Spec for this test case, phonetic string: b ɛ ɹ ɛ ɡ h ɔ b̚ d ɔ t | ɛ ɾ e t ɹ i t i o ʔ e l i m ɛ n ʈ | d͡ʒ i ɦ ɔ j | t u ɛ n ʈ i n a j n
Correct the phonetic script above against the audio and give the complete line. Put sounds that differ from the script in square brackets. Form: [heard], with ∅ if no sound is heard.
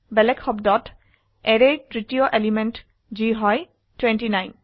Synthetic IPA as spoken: b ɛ [l] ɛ [k] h ɔ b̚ d ɔ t | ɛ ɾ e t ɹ i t i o ʔ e l i m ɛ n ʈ | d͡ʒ i ɦ ɔ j | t [w] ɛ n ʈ i n a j n